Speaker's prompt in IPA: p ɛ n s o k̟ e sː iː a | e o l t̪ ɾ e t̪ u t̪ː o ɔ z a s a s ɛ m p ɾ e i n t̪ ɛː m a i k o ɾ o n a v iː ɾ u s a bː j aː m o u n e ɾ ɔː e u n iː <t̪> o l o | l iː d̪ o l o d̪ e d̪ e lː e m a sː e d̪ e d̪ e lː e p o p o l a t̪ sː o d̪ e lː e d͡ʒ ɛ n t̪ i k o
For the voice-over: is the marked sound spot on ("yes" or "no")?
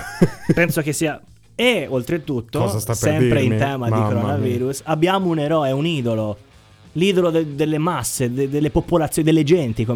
no